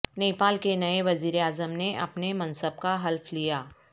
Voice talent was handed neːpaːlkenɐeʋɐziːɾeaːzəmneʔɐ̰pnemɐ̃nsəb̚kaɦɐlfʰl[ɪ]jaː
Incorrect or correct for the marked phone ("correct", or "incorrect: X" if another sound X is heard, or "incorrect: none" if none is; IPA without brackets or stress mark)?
incorrect: i